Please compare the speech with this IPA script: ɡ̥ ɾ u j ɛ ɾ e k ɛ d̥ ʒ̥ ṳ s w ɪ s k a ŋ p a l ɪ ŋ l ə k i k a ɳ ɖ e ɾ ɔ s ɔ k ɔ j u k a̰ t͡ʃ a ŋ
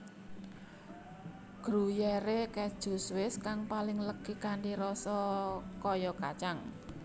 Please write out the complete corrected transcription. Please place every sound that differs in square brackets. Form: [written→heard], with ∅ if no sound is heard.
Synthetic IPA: ɡ̥ ɾ u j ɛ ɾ e k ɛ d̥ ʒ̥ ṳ s w ɪ s k a ŋ p a l ɪ ŋ l ə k i k a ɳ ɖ [e→i] ɾ ɔ s ɔ k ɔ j [u→ɔ] k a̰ t͡ʃ a ŋ